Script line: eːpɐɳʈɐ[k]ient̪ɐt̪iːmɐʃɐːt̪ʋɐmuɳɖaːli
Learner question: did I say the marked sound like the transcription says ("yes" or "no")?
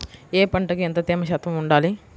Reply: yes